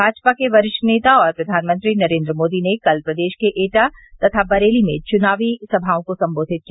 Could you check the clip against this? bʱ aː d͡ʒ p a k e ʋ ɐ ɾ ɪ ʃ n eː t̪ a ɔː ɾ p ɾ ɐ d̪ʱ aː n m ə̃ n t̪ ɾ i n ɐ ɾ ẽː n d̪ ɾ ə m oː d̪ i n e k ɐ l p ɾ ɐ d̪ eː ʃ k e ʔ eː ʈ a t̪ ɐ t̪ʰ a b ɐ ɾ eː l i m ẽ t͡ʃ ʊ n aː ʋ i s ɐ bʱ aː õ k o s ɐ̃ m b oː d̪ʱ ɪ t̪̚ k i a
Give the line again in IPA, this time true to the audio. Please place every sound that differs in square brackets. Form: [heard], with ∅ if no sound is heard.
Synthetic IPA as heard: bʱ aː d͡ʒ p a k e ʋ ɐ ɾ ɪ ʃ n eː t̪ a ɔː ɾ p ɾ ɐ d̪ʱ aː n m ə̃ n t̪ ɾ i n ɐ ɾ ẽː n d̪ ɾ ə m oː d̪ i n e k ɐ l p ɾ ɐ d̪ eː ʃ k e ʔ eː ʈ a t̪ ɐ t̪ʰ a b ɐ ɾ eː l i m ẽ t͡ʃ ʊ n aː ʋ i s ɐ bʱ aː õ k o s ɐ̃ m b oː d̪ʱ ɪ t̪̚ k i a

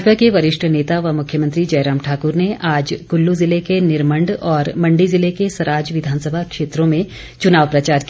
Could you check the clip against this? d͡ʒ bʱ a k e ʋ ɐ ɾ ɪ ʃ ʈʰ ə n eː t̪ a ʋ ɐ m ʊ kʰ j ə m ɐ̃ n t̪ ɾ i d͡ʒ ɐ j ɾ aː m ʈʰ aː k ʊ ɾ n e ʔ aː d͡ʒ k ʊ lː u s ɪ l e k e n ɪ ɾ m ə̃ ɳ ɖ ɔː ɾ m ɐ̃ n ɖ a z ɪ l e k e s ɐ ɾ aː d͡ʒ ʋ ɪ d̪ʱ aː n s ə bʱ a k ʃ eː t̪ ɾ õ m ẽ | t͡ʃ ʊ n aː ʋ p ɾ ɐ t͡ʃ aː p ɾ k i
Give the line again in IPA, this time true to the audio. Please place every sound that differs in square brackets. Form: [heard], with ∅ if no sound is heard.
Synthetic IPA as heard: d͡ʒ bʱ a k e ʋ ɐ ɾ ɪ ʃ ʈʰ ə n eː t̪ a ʋ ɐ m ʊ kʰ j ə m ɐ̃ n t̪ ɾ i d͡ʒ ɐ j ɾ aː m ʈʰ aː k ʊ ɾ n e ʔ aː d͡ʒ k ʊ lː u [z] ɪ l e k e n ɪ ɾ m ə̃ ɳ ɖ ɔː ɾ m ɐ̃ [ɳ] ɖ [i] z ɪ l e k e s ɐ ɾ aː d͡ʒ ʋ ɪ d̪ʱ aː n s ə bʱ a k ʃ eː t̪ ɾ õ m ẽ | t͡ʃ ʊ n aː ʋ p ɾ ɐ t͡ʃ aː [∅] ɾ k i

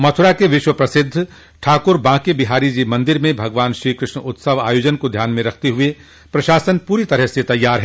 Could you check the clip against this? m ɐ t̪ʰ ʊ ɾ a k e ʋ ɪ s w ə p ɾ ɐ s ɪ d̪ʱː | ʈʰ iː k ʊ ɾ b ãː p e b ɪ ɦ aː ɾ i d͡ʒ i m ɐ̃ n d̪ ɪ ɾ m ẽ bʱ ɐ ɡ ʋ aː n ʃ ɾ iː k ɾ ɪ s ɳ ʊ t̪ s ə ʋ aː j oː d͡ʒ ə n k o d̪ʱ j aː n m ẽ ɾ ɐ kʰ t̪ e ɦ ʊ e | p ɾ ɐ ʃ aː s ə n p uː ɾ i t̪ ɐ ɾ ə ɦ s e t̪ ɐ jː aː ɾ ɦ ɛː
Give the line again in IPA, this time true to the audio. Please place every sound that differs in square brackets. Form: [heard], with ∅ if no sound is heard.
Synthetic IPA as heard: m ɐ t̪ʰ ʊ ɾ a k e ʋ ɪ [ʃ] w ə p ɾ ɐ s ɪ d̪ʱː | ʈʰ [aː] k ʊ ɾ b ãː [k] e b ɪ ɦ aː ɾ i d͡ʒ i m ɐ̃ n d̪ ɪ ɾ m ẽ bʱ ɐ ɡ ʋ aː n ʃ ɾ iː k ɾ ɪ [ʃ] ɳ ʊ t̪ s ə ʋ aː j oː d͡ʒ ə n k o d̪ʱ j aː n m ẽ ɾ ɐ kʰ t̪ e ɦ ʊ e | p ɾ ɐ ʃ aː s ə n p uː ɾ i t̪ ɐ ɾ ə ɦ s e t̪ ɐ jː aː ɾ ɦ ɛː

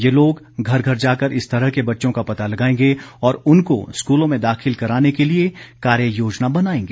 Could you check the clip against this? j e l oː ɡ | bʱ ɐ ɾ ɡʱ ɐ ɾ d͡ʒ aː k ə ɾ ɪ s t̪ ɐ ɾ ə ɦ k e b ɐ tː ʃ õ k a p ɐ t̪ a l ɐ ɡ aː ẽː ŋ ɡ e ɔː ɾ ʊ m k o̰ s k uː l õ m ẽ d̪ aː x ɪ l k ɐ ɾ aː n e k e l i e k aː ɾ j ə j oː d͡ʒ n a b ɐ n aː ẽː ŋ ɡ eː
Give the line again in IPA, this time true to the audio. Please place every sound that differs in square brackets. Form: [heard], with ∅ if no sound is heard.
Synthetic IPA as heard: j e l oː ɡ | [ɡʱ] ɐ ɾ ɡʱ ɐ ɾ d͡ʒ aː k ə ɾ ɪ s t̪ ɐ ɾ ə ɦ k e b ɐ tː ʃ õ k a p ɐ t̪ a l ɐ ɡ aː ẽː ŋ ɡ e ɔː ɾ ʊ [n] k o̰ s k uː l õ m ẽ d̪ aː x ɪ l k ɐ ɾ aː n e k e l i e k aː ɾ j ə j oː d͡ʒ n a b ɐ n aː ẽː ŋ ɡ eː

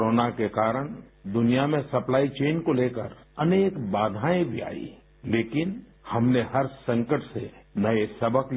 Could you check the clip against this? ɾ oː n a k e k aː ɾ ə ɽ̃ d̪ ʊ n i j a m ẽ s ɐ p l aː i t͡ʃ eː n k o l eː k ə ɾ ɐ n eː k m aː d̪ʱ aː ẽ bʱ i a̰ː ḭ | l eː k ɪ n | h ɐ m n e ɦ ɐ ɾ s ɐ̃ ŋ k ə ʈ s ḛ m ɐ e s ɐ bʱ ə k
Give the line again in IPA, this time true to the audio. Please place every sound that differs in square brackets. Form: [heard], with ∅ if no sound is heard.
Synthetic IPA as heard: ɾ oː n a k e k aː ɾ ə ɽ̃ d̪ ʊ n i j a m ẽ s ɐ p l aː i t͡ʃ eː n k o l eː k ə ɾ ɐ n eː k [b] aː d̪ʱ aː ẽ bʱ i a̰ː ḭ | l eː k ɪ n | h ɐ m n e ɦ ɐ ɾ s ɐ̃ ŋ k ə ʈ s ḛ [n] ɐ e s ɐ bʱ ə k

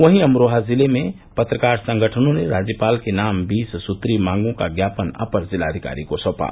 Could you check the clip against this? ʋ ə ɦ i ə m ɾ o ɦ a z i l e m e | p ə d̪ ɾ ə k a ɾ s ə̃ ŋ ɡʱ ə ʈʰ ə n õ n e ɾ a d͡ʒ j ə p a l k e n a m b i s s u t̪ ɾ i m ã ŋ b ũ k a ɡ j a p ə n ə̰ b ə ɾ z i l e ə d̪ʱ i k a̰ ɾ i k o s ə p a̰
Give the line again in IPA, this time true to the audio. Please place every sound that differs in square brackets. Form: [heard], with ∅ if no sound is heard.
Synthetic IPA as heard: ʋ ə ɦ i ə m ɾ o ɦ a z i l e m e | p ə [t̪] ɾ ə k a ɾ s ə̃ ŋ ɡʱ ə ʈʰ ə n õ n e ɾ a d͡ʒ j ə p a l k e n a m b i s s u t̪ ɾ i m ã ŋ [ɡ] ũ k a ɡ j a p ə n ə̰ [p] ə ɾ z i l [a] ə d̪ʱ i k a̰ ɾ i k o s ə p a̰

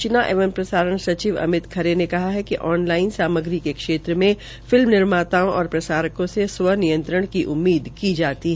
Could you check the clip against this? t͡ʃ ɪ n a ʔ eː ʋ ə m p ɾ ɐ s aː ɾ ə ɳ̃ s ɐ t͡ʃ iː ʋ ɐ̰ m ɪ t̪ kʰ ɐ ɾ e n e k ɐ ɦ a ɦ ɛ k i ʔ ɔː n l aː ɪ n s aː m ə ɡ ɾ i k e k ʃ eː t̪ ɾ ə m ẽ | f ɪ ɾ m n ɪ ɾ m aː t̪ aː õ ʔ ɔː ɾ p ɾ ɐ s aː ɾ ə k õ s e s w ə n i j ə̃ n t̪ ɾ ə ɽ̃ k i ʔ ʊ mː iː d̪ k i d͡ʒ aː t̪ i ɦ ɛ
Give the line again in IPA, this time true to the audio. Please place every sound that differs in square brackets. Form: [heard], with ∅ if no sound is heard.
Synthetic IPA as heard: t͡ʃ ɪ n a ʔ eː ʋ ə m p ɾ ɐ s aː ɾ ə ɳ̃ s ɐ t͡ʃ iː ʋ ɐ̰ m ɪ t̪ kʰ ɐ ɾ e n e k ɐ ɦ a ɦ ɛ k i ʔ ɔː n l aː ɪ n s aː m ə ɡ ɾ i k e k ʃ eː t̪ ɾ ə m ẽ | f ɪ [l] m n ɪ ɾ m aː t̪ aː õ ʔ ɔː ɾ p ɾ ɐ s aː ɾ ə k õ s e s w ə n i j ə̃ n t̪ ɾ ə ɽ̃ k i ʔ ʊ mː iː d̪ k i d͡ʒ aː t̪ i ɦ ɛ

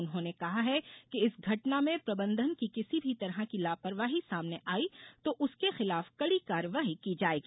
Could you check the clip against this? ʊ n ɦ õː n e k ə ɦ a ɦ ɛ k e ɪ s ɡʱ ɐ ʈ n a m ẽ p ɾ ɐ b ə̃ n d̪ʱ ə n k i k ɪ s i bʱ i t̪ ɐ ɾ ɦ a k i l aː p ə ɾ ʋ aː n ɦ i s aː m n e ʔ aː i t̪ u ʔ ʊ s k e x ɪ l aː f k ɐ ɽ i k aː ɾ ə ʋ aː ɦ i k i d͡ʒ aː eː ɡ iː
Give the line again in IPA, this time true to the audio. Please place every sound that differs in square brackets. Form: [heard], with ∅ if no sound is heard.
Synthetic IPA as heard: ʊ n ɦ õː n e k [ɐ] ɦ a ɦ ɛ k e ɪ s ɡʱ ɐ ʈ n a m ẽ p ɾ ɐ b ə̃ n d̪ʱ ə n k i k ɪ s i bʱ i t̪ ɐ ɾ ɦ a k i l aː p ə ɾ ʋ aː [∅] ɦ i s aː m n e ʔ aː i t̪ [o] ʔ ʊ s k e x ɪ l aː f k ɐ ɽ i k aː ɾ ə ʋ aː ɦ i k i d͡ʒ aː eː ɡ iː

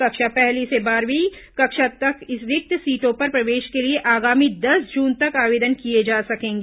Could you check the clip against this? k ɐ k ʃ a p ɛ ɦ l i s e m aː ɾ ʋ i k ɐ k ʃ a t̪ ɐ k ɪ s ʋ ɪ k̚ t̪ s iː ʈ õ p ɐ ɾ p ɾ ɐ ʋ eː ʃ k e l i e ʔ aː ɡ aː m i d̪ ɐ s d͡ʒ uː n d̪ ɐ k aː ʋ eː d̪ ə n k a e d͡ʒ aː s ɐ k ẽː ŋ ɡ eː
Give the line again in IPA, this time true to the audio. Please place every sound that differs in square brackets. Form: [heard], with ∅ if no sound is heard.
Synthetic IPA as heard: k ɐ k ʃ a p ɛ ɦ l i s e [b] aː ɾ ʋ i k ɐ k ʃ a t̪ ɐ k ɪ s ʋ ɪ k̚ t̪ s iː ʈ õ p ɐ ɾ p ɾ ɐ ʋ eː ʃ k e l i e ʔ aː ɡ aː m i d̪ ɐ s d͡ʒ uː n [t̪] ɐ k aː ʋ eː d̪ ə n k [i] e d͡ʒ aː s ɐ k ẽː ŋ ɡ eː

